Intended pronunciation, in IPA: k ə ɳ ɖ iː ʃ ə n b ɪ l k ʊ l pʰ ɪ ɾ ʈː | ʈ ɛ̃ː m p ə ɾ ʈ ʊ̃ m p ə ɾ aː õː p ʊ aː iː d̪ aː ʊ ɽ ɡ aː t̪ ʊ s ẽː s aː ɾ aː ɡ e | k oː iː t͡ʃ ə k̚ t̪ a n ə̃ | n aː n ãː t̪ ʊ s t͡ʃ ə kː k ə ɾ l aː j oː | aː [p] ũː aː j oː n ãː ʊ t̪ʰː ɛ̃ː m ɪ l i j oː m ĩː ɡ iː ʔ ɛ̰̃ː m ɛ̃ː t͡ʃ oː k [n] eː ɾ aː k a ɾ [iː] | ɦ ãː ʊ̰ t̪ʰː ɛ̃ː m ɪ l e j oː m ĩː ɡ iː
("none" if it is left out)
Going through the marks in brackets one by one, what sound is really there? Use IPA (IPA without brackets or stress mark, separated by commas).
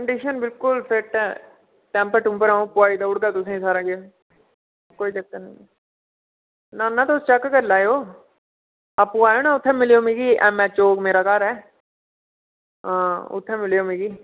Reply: p, m, ɛː